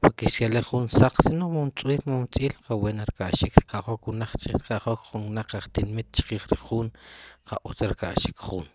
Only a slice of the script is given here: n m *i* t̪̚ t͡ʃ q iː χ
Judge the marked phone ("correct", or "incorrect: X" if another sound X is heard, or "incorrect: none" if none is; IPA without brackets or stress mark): correct